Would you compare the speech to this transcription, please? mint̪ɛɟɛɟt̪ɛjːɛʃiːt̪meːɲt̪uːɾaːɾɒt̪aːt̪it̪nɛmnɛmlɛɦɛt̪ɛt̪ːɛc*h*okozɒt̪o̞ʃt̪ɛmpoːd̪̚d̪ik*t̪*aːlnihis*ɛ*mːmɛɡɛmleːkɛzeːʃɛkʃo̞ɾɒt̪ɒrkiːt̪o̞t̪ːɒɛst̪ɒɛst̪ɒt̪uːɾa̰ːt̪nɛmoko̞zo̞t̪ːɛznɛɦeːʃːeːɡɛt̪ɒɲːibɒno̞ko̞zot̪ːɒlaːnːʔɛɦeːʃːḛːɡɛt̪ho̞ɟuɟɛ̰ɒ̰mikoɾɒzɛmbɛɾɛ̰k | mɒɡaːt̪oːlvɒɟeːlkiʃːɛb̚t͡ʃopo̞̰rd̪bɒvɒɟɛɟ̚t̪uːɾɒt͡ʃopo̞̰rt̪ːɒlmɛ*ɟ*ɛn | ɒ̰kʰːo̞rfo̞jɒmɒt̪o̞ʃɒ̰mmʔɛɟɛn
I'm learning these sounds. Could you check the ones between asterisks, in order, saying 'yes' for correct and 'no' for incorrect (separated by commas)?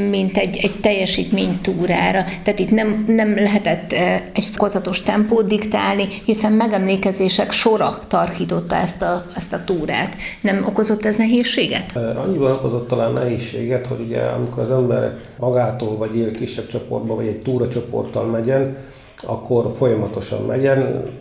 no, yes, yes, yes